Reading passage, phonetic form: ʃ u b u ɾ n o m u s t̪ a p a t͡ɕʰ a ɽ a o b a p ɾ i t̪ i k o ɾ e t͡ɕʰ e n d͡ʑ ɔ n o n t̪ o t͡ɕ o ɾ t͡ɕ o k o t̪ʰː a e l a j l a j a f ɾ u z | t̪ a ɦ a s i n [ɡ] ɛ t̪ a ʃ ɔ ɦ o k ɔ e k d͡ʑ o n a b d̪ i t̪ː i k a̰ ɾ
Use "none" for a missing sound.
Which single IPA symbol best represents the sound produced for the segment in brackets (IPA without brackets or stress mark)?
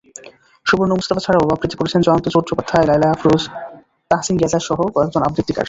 ɡ